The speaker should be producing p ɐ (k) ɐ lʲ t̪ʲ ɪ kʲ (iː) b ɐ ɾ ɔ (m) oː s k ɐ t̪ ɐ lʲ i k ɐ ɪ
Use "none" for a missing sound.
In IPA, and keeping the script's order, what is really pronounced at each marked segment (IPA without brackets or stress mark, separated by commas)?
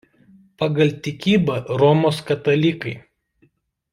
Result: ɡ, iː, m